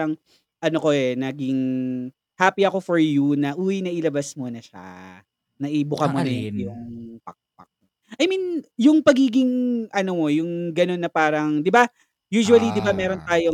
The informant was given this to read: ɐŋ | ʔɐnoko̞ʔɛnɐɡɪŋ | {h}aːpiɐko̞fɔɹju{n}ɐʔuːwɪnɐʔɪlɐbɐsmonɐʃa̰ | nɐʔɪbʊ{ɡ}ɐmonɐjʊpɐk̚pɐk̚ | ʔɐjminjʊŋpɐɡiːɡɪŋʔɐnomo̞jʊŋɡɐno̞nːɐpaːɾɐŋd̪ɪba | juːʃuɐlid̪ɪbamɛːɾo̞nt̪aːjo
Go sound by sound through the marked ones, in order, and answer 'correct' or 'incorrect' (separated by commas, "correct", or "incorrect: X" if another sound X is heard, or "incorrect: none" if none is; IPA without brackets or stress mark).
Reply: correct, correct, incorrect: k